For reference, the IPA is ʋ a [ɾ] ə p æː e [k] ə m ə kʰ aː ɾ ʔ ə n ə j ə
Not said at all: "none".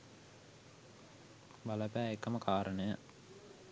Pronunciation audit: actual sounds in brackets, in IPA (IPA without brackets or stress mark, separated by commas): l, k